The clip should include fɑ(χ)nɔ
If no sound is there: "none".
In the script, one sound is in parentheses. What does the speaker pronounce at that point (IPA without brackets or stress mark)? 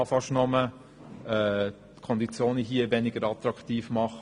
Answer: ʃ